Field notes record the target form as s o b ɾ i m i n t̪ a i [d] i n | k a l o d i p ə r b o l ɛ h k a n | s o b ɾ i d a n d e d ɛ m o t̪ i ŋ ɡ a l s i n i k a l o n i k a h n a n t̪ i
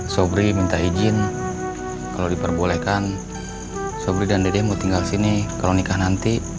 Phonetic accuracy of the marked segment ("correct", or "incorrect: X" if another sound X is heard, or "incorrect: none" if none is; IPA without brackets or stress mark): incorrect: d͡ʒ